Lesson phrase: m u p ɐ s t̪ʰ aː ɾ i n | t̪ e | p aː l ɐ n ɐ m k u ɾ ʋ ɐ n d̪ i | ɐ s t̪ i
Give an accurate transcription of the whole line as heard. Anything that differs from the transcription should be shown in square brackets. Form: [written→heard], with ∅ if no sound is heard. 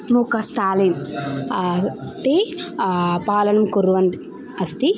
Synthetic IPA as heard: m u [p→k] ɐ s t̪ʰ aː [ɾ→l] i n | t̪ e | p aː l ɐ n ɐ m k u ɾ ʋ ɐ n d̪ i | ɐ s t̪ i